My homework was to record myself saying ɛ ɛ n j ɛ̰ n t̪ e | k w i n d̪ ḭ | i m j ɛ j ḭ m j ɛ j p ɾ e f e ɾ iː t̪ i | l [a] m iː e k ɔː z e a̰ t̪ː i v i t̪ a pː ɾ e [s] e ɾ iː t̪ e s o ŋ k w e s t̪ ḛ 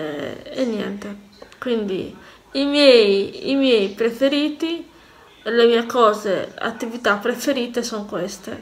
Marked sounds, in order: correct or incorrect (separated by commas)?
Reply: incorrect, incorrect